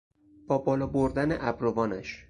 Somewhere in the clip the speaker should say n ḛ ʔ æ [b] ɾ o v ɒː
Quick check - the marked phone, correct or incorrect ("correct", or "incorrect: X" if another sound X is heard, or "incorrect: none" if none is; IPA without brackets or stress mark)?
correct